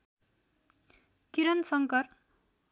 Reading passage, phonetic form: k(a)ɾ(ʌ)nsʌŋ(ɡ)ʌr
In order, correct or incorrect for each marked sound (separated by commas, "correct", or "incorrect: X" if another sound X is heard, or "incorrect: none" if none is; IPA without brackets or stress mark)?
incorrect: i, correct, incorrect: k